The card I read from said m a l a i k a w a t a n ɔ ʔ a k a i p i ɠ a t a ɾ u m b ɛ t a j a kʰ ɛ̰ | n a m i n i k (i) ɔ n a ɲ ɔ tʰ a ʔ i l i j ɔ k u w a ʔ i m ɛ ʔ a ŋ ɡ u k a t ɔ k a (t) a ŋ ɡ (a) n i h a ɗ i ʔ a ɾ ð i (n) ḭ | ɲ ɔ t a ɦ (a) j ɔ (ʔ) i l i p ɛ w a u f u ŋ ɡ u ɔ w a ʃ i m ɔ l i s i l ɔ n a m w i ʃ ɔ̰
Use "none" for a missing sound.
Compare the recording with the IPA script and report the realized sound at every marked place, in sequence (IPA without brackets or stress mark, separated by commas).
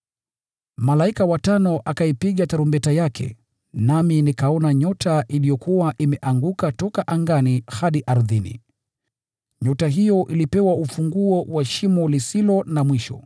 a, ʔ, a, n, i, ʔ